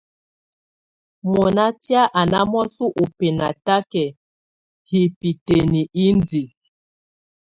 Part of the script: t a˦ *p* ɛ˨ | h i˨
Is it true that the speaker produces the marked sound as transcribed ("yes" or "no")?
no